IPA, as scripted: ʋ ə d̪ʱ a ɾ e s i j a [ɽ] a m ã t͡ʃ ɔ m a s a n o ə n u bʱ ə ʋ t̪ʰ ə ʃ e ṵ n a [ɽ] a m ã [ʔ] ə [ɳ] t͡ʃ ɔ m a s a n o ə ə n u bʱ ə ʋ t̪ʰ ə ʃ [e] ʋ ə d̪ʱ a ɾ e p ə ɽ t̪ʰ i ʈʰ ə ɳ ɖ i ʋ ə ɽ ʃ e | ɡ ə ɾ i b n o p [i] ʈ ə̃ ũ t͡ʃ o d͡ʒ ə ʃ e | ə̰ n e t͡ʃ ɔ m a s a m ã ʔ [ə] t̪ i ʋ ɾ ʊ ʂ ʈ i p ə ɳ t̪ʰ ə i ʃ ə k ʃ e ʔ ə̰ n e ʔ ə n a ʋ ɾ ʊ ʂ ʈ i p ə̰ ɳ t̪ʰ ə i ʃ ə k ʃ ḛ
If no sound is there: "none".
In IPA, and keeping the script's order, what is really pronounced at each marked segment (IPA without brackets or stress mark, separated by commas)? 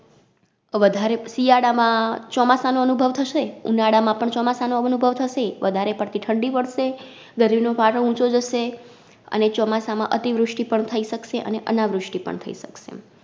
ɽ, ɽ, p, ɳ, e, a, ə